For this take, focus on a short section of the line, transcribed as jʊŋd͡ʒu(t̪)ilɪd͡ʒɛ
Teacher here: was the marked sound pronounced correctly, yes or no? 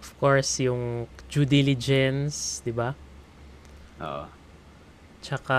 no